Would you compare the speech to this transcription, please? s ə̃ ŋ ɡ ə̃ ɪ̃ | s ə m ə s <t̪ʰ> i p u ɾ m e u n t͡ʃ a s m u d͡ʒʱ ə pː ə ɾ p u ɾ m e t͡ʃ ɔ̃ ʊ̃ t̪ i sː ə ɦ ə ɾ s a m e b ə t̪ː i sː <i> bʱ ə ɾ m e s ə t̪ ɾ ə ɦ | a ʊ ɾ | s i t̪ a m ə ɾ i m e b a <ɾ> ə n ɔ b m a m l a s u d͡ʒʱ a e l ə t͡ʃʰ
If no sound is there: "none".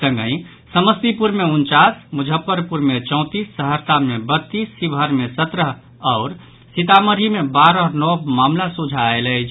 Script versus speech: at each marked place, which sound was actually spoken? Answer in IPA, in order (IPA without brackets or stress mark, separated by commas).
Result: t̪, i, ɾ